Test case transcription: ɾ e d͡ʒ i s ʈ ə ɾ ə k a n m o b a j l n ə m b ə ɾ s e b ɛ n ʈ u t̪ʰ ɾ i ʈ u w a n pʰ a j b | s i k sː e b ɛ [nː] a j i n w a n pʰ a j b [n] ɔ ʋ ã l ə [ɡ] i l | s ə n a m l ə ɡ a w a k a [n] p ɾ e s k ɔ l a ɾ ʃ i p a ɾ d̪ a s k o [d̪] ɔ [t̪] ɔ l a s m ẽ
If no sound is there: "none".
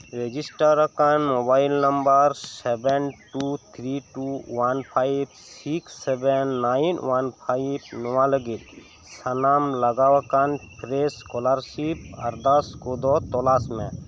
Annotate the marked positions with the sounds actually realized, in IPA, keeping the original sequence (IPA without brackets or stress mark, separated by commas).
nː, n, ɡ, n, d̪, t̪